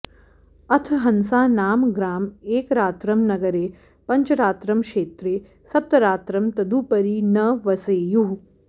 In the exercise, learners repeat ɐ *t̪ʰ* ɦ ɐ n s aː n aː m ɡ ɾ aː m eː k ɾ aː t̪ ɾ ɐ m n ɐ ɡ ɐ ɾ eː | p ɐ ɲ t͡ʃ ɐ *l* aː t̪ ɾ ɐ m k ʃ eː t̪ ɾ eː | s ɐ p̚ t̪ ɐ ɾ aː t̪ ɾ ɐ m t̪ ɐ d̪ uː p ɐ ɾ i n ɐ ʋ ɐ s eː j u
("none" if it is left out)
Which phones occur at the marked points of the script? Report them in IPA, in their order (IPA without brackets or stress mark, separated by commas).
t̪ʰ, ɾ